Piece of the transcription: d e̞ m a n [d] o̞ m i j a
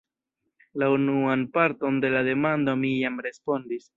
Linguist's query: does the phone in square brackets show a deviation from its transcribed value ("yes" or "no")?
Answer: no